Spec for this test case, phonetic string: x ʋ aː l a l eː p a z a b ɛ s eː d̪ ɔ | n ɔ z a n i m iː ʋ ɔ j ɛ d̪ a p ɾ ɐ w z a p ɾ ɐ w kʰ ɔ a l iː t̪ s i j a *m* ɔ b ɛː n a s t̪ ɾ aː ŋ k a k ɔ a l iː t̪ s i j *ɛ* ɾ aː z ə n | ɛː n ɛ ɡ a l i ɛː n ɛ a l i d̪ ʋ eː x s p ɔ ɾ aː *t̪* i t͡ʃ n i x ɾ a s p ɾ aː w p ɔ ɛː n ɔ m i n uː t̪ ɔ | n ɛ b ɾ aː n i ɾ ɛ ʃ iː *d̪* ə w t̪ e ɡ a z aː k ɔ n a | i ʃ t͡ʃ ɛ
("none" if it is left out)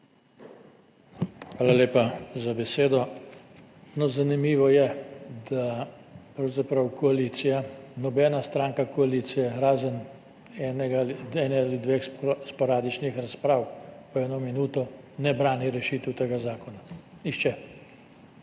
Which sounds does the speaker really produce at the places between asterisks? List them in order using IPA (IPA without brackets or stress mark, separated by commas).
n, ɛ, d̪, t̪